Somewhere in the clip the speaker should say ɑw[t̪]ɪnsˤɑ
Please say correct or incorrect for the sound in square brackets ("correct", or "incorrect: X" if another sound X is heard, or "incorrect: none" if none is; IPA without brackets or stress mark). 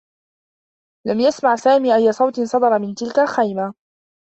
correct